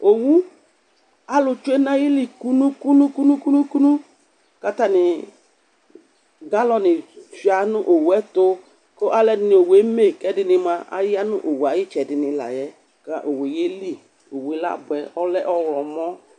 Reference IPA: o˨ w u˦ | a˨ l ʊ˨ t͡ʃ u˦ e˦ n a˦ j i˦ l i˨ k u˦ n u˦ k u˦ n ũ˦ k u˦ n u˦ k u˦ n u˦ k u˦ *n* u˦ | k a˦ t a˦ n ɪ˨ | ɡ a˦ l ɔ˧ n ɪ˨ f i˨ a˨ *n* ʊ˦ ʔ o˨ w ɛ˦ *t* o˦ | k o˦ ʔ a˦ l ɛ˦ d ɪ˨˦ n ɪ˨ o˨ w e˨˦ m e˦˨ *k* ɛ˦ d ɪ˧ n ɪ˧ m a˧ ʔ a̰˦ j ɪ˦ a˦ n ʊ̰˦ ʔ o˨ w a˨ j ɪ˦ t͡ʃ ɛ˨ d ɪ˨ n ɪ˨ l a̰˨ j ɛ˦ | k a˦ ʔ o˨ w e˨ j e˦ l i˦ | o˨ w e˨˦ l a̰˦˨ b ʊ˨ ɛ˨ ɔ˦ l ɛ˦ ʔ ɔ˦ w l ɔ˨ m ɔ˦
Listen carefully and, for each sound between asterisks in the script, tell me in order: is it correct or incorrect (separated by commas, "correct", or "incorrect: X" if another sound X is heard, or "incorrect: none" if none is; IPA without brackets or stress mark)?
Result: correct, correct, correct, correct